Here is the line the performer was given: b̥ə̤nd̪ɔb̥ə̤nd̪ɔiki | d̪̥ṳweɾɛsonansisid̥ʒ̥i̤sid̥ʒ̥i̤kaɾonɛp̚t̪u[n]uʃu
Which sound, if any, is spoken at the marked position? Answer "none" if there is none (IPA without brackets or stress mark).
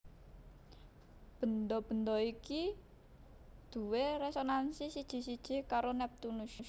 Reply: n